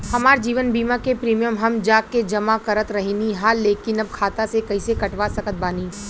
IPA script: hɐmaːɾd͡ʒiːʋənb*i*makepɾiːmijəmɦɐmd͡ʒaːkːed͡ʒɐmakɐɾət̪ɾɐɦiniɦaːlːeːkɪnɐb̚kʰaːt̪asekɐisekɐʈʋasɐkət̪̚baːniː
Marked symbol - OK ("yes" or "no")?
no